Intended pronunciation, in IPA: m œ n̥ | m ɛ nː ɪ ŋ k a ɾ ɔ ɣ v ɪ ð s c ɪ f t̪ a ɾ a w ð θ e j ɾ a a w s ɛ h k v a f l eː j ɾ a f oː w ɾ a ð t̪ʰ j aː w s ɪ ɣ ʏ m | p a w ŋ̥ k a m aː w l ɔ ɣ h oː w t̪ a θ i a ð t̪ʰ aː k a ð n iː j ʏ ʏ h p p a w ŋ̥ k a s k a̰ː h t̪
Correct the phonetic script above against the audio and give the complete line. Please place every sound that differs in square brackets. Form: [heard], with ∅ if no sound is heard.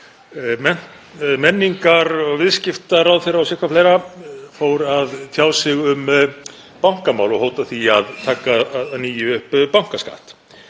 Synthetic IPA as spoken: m [ɛ] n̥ | m ɛ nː [i] ŋ k a ɾ ɔ ɣ v ɪ ð s c ɪ f t̪ a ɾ a w ð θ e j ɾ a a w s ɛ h k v a f l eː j ɾ a f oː w ɾ a ð t̪ʰ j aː w s ɪ ɣ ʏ m | p a w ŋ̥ k a m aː w l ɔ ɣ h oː w t̪ a θ i a ð t̪ʰ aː k a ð n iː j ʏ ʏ h p p a w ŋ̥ k a s k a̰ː h t̪